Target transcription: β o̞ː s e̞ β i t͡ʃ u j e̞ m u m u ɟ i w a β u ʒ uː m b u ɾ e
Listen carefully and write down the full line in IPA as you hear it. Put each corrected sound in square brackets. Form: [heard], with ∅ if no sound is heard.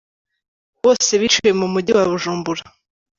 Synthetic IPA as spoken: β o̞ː s e̞ β i t͡ʃ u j e̞ m u m u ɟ i w a β u ʒ uː m b u ɾ [a]